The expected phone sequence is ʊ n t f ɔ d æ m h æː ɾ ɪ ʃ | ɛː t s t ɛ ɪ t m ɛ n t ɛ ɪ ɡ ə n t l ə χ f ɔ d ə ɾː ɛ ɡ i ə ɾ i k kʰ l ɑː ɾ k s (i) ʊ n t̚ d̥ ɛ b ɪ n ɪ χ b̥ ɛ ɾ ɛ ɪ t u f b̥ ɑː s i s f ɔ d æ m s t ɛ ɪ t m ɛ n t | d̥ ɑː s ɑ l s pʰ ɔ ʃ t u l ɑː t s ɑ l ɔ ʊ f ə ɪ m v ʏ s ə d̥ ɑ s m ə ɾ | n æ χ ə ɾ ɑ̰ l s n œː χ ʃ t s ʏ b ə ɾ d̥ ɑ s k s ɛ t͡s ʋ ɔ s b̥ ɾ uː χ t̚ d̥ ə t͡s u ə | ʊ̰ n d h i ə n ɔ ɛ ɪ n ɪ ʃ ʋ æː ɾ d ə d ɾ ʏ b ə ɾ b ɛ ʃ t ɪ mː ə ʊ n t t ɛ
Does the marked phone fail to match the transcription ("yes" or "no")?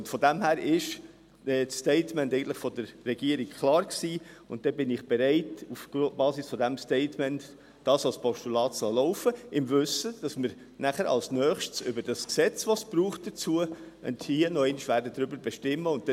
yes